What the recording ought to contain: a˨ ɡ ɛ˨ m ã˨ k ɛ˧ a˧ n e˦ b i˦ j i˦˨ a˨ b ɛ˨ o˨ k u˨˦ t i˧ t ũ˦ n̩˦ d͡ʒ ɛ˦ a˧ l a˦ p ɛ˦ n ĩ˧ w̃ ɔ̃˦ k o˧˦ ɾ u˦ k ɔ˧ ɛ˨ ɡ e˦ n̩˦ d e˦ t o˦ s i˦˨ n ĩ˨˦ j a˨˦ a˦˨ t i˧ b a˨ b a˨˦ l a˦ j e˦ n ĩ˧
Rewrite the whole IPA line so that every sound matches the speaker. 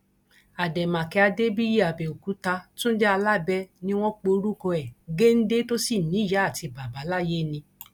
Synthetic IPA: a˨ d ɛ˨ m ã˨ k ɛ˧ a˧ d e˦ b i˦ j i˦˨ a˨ b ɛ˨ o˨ k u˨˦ t a˧ t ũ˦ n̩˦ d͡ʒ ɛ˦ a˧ l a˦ b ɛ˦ n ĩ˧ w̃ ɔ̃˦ k͡p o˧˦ ɾ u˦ k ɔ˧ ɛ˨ ɡ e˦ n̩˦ d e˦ t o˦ s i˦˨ n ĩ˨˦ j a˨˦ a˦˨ t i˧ b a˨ b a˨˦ l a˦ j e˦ n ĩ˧